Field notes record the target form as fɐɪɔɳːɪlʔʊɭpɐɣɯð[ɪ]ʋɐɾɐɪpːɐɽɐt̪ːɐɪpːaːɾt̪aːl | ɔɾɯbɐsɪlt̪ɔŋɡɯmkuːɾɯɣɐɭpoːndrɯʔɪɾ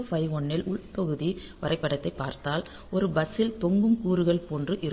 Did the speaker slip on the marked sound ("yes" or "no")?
yes